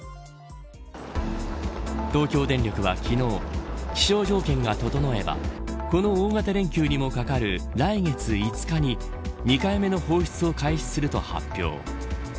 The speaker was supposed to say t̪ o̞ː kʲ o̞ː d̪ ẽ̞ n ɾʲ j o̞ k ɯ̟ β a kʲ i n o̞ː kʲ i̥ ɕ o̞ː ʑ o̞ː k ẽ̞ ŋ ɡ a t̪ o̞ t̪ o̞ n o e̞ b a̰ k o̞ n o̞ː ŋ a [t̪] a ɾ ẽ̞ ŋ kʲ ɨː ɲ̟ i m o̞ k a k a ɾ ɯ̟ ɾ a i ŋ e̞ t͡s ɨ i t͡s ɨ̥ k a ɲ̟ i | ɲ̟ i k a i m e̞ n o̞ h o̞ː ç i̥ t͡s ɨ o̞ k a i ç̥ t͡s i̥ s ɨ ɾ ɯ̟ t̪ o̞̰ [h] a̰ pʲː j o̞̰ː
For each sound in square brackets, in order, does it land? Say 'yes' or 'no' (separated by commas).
yes, yes